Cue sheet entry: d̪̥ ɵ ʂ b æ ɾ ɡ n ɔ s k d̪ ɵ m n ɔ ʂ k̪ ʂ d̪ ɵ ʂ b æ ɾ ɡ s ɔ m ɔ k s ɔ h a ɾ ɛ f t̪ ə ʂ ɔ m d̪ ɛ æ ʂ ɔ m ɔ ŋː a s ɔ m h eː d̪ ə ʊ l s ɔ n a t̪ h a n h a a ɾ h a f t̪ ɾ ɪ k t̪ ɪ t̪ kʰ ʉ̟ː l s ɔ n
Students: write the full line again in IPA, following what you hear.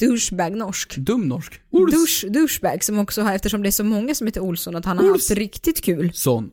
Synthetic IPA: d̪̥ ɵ ʂ b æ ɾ ɡ n ɔ ʂ k d̪ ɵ m n ɔ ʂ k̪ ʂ d̪ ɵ ʂ b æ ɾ ɡ s ɔ m ɔ k s ɔ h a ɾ ɛ f t̪ ə ʂ ɔ m d̪ ɛ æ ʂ ɔ m ɔ ŋː a s ɔ m h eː t̪ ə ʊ l s ɔ n a t̪ h a n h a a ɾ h a f t̪ ɾ ɪ k t̪ ɪ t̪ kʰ ʉ̟ː l s ɔ n